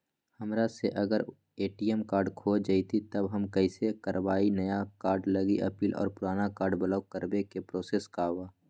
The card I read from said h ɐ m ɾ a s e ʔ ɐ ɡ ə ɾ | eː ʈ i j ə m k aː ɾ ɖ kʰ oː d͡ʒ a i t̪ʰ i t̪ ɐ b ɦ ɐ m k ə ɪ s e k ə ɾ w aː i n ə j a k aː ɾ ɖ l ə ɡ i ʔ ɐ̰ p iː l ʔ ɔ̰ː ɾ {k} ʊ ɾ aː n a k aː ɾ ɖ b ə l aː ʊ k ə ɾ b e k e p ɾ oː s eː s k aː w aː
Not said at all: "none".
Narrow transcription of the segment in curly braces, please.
p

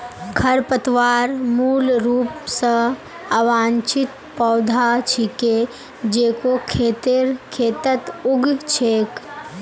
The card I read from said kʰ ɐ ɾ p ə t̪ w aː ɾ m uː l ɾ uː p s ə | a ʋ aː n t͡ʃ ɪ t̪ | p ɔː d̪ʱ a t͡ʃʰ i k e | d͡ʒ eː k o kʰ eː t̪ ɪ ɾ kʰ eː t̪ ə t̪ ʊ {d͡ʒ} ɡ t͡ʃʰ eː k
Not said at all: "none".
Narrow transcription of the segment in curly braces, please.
none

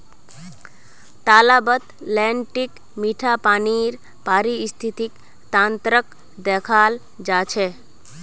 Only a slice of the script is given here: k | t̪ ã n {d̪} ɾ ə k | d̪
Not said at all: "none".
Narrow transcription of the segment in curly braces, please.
t̪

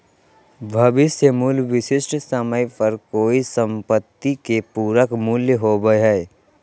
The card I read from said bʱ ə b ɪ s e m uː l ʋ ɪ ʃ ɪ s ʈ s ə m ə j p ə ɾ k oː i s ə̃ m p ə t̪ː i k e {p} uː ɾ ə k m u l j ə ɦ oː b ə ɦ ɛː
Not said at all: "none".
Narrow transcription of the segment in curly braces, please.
p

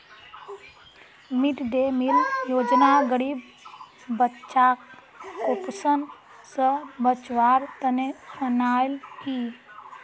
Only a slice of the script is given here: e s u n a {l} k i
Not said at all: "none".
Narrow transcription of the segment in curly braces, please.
l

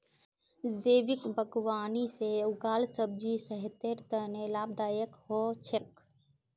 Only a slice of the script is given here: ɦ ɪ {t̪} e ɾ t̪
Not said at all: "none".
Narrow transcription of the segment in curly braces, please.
t̪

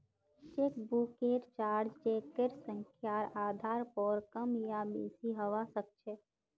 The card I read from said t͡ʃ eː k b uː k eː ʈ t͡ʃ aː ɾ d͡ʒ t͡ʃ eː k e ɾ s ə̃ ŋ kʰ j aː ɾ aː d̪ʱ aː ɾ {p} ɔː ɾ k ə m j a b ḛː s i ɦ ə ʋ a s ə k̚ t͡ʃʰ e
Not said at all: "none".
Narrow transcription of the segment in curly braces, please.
p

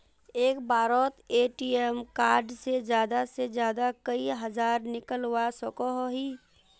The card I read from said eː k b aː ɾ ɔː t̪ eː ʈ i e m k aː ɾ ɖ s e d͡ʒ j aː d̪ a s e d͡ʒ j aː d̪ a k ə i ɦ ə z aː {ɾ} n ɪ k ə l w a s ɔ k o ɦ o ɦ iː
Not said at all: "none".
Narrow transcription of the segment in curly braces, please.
ɾ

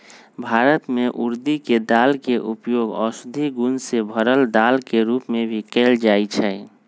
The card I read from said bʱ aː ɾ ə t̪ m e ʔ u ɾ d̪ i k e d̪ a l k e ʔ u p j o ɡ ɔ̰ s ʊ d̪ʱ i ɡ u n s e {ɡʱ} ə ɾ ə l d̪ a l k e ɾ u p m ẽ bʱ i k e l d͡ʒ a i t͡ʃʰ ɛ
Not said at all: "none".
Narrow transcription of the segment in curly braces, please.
bʱ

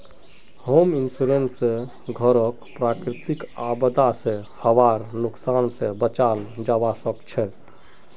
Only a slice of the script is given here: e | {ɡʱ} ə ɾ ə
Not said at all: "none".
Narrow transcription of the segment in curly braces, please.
ɡʱ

